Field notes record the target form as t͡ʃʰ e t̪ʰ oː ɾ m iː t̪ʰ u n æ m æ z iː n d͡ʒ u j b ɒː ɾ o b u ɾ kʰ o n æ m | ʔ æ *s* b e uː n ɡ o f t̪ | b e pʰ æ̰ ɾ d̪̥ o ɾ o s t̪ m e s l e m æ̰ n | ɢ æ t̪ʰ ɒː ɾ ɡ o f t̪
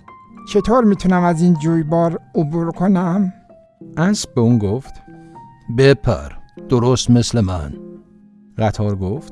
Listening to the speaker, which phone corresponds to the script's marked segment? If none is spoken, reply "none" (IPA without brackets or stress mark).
s